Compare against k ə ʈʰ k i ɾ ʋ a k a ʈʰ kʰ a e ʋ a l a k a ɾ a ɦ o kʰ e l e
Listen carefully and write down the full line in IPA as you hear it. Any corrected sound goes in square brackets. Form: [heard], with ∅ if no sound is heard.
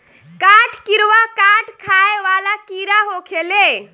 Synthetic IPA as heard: k [a] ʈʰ k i ɾ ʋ a k a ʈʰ kʰ a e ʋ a l a k [i] ɾ a ɦ o kʰ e l e